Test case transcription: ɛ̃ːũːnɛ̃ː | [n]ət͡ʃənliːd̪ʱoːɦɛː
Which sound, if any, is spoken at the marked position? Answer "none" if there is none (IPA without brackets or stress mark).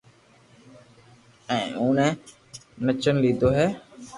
n